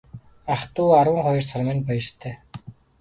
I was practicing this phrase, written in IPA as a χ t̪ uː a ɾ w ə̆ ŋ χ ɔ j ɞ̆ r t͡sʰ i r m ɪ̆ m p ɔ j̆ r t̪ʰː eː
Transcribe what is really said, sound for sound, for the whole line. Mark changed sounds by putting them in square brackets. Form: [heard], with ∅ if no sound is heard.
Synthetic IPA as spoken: a χ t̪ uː a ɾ w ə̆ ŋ χ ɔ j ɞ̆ r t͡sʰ [a] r m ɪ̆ [n] p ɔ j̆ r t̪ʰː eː